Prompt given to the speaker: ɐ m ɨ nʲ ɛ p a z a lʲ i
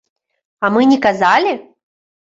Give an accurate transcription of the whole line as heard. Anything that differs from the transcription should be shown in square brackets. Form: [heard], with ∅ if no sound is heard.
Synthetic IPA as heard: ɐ m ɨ nʲ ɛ [k] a z a lʲ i

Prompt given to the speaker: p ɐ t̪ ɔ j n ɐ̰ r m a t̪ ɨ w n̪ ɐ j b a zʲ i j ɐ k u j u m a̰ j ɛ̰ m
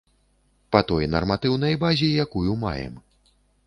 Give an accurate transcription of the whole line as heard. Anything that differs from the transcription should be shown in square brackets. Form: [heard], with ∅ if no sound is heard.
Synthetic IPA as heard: p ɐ t̪ ɔ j n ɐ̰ r m a t̪ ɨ w n̪ ɐ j b a zʲ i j [a] k u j u m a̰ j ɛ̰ m

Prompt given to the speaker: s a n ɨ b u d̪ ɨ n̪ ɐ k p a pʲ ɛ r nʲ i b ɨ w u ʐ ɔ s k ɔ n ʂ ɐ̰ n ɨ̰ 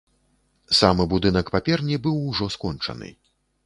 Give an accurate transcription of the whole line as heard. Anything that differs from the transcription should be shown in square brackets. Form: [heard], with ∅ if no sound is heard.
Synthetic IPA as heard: s a [m] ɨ b u d̪ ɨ n̪ ɐ k p a pʲ ɛ r nʲ i b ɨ w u ʐ ɔ s k ɔ n [t͡ʂ] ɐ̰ n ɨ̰

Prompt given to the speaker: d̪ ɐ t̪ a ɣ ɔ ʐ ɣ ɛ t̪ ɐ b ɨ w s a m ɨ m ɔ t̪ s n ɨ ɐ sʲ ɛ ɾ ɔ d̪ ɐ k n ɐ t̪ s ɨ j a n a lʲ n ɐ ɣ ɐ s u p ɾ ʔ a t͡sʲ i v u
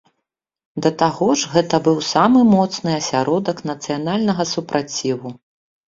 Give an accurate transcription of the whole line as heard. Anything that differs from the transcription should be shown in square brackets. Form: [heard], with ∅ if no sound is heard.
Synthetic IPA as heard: d̪ ɐ t̪ a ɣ ɔ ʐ ɣ ɛ t̪ ɐ b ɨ w s a m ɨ m ɔ t̪ s n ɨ ɐ sʲ [a] ɾ ɔ d̪ ɐ k n ɐ t̪ s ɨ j a n a lʲ n ɐ ɣ ɐ s u p ɾ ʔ a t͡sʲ i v u

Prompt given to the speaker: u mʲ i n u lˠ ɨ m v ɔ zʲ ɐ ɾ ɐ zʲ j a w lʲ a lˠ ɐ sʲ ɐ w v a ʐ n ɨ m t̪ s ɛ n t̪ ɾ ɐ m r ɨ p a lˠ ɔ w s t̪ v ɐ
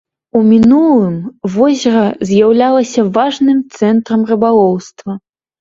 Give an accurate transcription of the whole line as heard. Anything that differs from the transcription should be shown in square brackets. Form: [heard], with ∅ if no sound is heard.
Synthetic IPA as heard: u mʲ i n u lˠ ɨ m v ɔ zʲ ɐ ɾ ɐ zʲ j a w lʲ a lˠ ɐ sʲ ɐ [∅] v a ʐ n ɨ m t̪ s ɛ n t̪ ɾ ɐ m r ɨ [b] a lˠ ɔ w s t̪ v ɐ

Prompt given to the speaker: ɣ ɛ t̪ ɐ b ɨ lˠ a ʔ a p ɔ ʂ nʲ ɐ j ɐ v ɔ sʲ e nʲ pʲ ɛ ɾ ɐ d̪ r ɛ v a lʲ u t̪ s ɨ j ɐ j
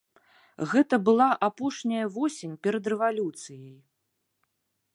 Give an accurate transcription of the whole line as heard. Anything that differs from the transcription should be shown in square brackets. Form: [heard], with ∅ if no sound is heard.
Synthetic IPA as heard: ɣ ɛ t̪ ɐ b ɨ lˠ a ʔ a p ɔ ʂ nʲ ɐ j ɐ v ɔ sʲ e nʲ pʲ ɛ ɾ ɐ d̪ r ɛ v a lʲ u t̪ s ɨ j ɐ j

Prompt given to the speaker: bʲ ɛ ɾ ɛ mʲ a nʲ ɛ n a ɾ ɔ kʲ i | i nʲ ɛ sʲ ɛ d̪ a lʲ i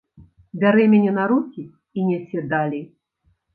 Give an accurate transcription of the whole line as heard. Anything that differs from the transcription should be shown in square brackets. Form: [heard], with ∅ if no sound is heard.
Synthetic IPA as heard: bʲ [a] ɾ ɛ mʲ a nʲ ɛ n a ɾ [u] kʲ i | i nʲ ɛ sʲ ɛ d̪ a lʲ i

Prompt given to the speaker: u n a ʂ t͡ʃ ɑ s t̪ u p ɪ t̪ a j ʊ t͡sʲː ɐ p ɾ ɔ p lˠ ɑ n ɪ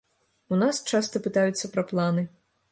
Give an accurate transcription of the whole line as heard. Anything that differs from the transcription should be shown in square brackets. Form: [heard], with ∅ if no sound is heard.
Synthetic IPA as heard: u n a [s] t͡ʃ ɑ s t̪ [ɔ] p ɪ t̪ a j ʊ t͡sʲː ɐ p ɾ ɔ p lˠ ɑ n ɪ

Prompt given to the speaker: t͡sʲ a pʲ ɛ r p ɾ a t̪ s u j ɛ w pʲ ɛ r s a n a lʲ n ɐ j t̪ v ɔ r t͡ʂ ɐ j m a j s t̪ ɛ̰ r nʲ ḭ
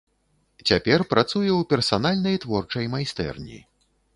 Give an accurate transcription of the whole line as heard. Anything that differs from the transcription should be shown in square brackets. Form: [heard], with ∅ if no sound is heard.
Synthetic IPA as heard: t͡sʲ a pʲ ɛ r p ɾ a t̪ s u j ɛ w pʲ ɛ r s a n a lʲ n ɐ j t̪ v ɔ r t͡ʂ ɐ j m a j s t̪ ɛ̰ r nʲ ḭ

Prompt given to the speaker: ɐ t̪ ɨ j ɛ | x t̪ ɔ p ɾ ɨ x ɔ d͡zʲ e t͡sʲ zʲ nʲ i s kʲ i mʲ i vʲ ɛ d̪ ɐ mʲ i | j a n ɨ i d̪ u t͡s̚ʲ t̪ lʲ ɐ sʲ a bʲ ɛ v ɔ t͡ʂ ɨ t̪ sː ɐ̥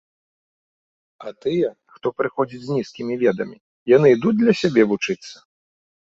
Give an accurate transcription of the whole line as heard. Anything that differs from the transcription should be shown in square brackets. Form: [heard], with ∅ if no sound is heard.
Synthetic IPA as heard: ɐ t̪ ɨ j ɛ | x t̪ ɔ p ɾ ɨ x ɔ d͡zʲ [i] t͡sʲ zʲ nʲ i s kʲ i mʲ i vʲ ɛ d̪ ɐ mʲ i | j a n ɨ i d̪ u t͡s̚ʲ [d̪] lʲ ɐ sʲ a bʲ ɛ v [u] t͡ʂ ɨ t̪ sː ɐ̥

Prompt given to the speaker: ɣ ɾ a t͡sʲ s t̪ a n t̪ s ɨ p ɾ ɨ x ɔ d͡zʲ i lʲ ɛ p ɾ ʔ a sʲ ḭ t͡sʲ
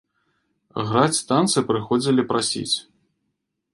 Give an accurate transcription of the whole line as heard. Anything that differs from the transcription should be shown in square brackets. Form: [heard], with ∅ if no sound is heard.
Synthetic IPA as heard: ɣ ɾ a t͡sʲ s t̪ a n t̪ s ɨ p ɾ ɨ x ɔ d͡zʲ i lʲ [i] p ɾ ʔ a sʲ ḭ t͡sʲ

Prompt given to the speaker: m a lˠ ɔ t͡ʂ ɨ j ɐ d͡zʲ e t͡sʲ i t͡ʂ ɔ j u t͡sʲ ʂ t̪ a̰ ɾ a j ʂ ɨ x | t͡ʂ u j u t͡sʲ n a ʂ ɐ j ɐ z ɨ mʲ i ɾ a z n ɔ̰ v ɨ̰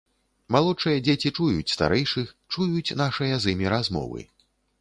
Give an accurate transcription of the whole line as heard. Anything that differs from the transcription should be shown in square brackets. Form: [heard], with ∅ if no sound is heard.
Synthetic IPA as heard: m a lˠ ɔ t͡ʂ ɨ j ɐ d͡zʲ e t͡sʲ i t͡ʂ [u] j u t͡sʲ [s] t̪ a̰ ɾ [ɛ] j ʂ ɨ x | t͡ʂ u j u t͡sʲ n a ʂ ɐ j ɐ z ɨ mʲ i ɾ a z [m] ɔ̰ v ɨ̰

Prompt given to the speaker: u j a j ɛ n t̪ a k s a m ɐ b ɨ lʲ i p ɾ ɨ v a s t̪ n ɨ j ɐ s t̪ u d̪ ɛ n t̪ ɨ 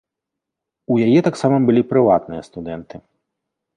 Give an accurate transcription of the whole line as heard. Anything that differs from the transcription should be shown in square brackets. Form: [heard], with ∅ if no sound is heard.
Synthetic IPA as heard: u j a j ɛ [∅] t̪ a k s a m ɐ b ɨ lʲ i p ɾ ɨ v a [∅] t̪ n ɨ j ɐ s t̪ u d̪ ɛ n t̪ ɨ

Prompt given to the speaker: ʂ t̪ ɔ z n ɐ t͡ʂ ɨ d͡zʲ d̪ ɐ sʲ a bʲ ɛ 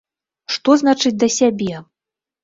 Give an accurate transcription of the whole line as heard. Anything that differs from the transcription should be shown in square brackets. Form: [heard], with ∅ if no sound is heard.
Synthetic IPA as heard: ʂ t̪ ɔ z n [a] t͡ʂ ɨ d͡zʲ d̪ ɐ sʲ a bʲ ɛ

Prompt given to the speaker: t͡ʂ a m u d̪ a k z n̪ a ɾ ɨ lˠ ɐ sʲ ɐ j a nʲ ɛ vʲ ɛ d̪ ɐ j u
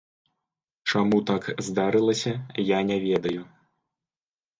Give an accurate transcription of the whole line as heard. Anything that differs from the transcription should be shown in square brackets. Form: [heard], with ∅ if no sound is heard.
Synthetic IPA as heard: t͡ʂ a m u [t̪] a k z [d̪] a ɾ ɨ lˠ ɐ sʲ ɐ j a nʲ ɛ vʲ ɛ d̪ ɐ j u

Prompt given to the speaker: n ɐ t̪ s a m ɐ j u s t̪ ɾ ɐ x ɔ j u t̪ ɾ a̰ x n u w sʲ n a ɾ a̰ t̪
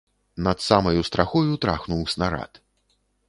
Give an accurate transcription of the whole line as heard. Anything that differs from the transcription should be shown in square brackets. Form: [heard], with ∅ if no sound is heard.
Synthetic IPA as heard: n ɐ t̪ s a m ɐ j u s t̪ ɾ [a] x ɔ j u t̪ ɾ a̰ x n u w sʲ n a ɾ a̰ t̪

